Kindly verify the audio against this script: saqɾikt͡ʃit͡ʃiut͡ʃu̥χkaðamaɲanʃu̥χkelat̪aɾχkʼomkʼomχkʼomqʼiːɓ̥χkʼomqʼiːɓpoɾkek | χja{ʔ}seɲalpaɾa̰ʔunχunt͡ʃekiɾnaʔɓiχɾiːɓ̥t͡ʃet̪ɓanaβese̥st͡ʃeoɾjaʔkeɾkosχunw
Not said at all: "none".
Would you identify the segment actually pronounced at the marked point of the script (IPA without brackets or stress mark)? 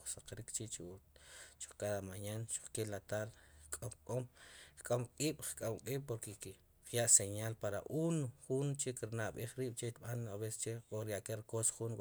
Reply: ʔ